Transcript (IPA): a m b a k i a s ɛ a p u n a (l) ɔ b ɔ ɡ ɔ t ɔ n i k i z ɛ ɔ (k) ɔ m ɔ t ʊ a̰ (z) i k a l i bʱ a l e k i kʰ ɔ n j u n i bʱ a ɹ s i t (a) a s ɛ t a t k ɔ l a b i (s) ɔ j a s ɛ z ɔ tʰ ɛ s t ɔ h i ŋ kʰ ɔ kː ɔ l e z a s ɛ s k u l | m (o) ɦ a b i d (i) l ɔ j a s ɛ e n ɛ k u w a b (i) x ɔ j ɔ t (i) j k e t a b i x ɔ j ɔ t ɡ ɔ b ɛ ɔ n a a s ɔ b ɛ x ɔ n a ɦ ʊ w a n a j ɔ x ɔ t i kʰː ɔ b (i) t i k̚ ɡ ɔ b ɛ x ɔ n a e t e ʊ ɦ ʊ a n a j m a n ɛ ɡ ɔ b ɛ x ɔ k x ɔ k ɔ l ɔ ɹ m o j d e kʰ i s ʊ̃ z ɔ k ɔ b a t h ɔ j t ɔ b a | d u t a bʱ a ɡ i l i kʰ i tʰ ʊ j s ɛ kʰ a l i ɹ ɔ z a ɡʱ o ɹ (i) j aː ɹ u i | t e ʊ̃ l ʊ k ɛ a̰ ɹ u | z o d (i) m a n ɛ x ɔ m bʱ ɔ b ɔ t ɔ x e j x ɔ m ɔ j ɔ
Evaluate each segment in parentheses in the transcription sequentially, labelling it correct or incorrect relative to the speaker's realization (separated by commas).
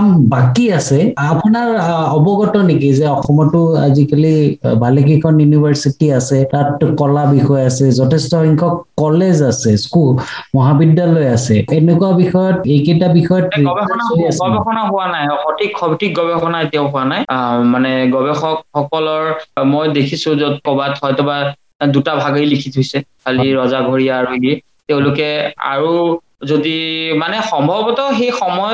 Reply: incorrect, incorrect, correct, incorrect, incorrect, incorrect, incorrect, correct, incorrect, correct, correct, correct